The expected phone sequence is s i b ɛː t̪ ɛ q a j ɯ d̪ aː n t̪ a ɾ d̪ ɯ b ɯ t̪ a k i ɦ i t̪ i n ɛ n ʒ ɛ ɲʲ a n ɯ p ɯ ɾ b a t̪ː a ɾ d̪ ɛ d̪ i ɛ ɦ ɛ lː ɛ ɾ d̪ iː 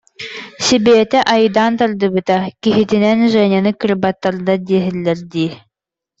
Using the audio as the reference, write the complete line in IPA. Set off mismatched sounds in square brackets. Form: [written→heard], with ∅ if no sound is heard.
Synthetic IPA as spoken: s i b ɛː t̪ ɛ [q→ʔ] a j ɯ d̪ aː n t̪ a ɾ d̪ ɯ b ɯ t̪ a k i ɦ i t̪ i n ɛ n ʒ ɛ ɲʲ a n ɯ [p→k] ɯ ɾ b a t̪ː a ɾ d̪ [ɛ→a] d̪ i ɛ ɦ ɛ lː ɛ ɾ d̪ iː